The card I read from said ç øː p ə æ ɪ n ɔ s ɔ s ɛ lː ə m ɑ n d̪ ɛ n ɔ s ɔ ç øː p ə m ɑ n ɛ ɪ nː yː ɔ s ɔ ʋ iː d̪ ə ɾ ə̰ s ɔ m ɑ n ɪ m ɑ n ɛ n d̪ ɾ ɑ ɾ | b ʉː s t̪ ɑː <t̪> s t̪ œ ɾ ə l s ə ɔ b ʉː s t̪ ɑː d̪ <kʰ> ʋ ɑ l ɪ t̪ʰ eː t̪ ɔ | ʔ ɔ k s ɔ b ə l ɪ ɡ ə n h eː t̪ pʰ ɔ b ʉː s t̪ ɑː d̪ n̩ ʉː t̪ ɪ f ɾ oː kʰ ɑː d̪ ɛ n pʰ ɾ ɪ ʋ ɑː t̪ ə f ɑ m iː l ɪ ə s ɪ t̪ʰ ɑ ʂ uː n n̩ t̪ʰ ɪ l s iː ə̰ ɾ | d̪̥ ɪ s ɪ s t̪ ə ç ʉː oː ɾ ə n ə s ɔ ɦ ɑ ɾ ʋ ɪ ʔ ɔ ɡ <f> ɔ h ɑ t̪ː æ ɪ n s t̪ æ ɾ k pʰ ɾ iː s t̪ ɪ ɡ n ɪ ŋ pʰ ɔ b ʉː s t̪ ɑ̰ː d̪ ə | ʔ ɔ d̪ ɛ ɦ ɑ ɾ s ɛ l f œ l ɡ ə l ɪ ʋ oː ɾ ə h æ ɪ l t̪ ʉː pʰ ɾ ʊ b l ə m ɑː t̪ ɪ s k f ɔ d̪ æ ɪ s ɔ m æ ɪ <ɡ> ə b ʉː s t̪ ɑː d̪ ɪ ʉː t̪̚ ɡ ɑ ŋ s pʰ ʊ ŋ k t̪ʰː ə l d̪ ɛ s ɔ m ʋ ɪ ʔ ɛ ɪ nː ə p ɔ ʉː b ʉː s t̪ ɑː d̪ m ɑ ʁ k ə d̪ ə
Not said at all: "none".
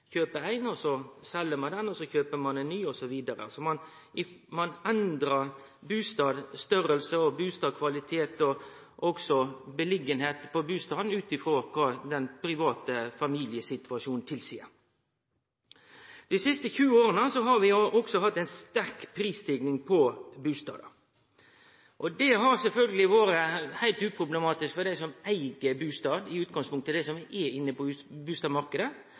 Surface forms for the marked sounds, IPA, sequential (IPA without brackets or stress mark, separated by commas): d̪, kʰ, s, ɡ